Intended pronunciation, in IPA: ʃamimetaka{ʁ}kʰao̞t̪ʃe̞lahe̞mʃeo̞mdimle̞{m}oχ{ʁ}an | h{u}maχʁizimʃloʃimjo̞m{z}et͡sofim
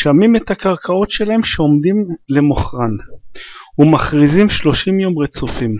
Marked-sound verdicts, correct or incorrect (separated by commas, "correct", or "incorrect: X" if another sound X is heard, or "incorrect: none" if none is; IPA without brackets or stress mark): correct, correct, correct, correct, incorrect: ʁ